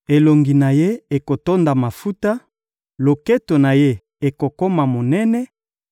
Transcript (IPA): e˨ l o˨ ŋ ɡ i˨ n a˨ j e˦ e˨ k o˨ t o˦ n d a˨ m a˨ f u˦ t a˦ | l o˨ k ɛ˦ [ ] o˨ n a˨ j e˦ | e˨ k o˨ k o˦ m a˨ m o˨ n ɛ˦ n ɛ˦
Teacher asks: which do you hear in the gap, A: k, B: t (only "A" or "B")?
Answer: B